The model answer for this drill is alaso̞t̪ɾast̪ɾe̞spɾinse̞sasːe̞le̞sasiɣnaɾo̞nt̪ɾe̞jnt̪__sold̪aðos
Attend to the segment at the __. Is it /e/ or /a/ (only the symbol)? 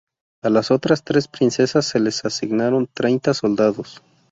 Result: a